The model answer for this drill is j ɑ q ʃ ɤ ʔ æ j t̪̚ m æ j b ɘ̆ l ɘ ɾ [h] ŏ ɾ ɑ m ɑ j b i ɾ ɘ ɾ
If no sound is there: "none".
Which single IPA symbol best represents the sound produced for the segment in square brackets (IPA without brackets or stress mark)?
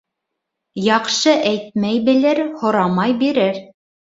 h